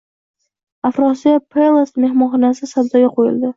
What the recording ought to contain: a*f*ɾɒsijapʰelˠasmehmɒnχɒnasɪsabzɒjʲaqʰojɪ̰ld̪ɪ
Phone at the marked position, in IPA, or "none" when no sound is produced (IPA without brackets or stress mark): f